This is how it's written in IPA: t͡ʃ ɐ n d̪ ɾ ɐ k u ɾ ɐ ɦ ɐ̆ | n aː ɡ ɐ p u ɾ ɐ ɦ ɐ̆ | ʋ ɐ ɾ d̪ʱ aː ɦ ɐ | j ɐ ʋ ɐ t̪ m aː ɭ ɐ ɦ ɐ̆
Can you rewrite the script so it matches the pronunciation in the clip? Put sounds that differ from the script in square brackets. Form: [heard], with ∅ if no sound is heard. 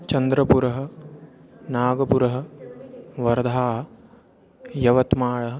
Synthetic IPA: t͡ʃ ɐ n d̪ ɾ ɐ [p] u ɾ ɐ ɦ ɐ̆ | n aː ɡ ɐ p u ɾ ɐ ɦ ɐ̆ | ʋ ɐ ɾ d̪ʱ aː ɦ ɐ | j ɐ ʋ ɐ t̪ m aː ɭ ɐ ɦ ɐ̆